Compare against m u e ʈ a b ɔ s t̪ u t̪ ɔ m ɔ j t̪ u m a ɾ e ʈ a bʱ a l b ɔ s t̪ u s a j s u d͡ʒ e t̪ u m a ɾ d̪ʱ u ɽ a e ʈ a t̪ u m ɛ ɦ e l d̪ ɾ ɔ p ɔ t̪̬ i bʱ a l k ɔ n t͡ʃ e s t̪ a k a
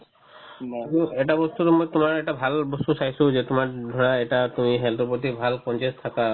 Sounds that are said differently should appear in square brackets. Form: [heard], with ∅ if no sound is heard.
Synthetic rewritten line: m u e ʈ a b ɔ s t̪ u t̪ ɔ m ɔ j t̪ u m a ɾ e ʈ a bʱ a l b ɔ s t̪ u s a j s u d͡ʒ e t̪ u m a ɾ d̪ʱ [ɔ] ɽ a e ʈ a t̪ u m [i] ɦ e l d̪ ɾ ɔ p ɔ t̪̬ i bʱ a l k ɔ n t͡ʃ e s [t̪ʰ] a k a